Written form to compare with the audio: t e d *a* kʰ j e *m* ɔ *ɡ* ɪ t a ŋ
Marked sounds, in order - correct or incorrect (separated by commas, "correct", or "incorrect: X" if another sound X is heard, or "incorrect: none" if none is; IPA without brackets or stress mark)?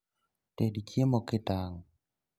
incorrect: i, correct, incorrect: k